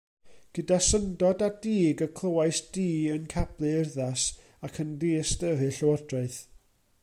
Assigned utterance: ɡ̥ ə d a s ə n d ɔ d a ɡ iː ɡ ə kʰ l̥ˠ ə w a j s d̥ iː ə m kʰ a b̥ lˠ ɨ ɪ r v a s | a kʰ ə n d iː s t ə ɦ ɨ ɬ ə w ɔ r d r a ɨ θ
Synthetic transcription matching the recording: ɡ̥ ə d a s ə n d ɔ d a d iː ɡ ə kʰ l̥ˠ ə w a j s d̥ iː ə n kʰ a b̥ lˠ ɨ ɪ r ð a s | a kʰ ə n d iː s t ə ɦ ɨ ɬ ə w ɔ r d r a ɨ θ